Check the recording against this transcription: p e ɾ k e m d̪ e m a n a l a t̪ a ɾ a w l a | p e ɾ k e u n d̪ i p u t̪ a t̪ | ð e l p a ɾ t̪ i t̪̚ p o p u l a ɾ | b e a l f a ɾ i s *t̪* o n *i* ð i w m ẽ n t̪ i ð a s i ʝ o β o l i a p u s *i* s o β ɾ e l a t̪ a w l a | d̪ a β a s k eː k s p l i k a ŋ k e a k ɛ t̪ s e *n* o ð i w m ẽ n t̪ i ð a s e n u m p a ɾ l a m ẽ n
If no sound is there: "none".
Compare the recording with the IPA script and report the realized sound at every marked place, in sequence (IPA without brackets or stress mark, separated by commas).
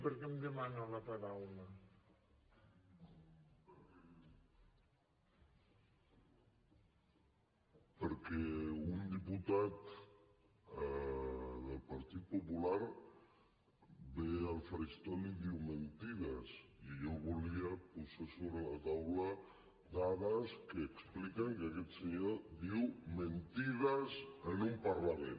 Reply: t̪, i, a, ɲ